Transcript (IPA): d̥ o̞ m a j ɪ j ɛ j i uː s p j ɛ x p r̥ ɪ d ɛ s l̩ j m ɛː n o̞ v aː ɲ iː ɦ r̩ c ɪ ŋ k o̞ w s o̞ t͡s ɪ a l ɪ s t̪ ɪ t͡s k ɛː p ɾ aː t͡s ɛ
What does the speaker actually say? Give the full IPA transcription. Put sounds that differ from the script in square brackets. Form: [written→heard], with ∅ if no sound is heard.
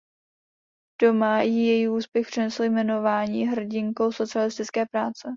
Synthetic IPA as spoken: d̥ o̞ m a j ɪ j ɛ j i uː s p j ɛ x p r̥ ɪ [d→n] ɛ s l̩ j m [ɛː→ɛ] n o̞ v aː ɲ iː ɦ r̩ [c→ɟ] ɪ ŋ k o̞ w s o̞ t͡s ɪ a l ɪ s t̪ ɪ t͡s k ɛː p ɾ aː t͡s ɛ